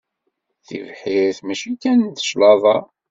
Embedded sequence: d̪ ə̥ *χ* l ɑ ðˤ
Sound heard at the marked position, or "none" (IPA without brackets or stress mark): ʃ